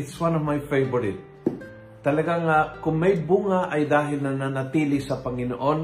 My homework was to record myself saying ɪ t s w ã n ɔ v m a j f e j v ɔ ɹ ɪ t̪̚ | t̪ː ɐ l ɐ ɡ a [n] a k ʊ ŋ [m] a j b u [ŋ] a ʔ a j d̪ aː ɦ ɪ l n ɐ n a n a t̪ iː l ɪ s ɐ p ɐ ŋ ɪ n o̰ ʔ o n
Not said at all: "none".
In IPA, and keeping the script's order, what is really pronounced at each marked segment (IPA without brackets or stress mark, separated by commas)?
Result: ŋ, m, ŋ